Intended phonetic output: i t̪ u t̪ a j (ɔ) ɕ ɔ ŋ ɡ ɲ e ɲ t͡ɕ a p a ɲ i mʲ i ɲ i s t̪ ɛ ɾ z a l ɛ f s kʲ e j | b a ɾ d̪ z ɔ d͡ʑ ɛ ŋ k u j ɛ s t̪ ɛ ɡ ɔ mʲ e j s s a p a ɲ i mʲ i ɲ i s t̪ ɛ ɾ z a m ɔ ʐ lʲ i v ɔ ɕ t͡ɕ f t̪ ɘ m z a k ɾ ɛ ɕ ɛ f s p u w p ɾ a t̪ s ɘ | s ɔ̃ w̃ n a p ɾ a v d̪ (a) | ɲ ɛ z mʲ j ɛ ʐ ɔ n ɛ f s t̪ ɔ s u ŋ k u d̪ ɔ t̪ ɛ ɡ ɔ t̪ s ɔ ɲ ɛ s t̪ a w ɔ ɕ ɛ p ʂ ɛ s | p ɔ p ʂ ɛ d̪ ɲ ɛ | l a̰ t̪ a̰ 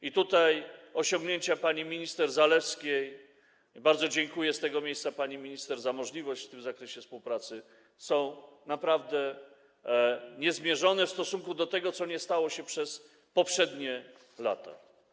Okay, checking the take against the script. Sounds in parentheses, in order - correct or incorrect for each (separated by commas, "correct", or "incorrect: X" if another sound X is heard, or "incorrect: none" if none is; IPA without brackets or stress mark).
correct, incorrect: ɛ